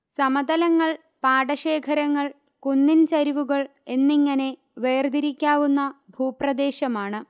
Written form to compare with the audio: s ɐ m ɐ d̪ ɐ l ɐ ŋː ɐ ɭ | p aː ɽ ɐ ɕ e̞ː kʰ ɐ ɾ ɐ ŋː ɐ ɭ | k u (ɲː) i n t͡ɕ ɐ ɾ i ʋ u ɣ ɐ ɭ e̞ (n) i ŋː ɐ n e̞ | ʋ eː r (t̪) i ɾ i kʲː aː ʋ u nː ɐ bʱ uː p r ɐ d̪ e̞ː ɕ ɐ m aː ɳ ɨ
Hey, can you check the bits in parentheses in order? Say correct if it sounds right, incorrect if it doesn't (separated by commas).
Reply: incorrect, incorrect, incorrect